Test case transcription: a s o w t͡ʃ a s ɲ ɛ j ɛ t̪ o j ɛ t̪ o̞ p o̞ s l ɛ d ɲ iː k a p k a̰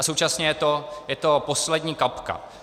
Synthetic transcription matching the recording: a s o w t͡ʃ a s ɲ ɛ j ɛ t̪ o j ɛ t̪ o̞ p o̞ s l ɛ d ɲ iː k a p k a̰